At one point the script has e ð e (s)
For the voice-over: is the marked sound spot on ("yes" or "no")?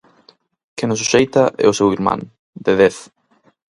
no